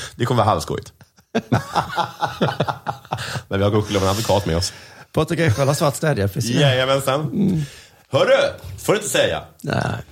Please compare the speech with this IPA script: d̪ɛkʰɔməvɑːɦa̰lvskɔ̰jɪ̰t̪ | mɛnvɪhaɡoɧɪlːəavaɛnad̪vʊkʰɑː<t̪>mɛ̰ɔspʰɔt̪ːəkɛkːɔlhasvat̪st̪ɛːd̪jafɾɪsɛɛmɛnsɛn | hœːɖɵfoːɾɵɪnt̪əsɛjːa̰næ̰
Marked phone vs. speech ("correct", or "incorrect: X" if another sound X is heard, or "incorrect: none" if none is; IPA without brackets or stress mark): correct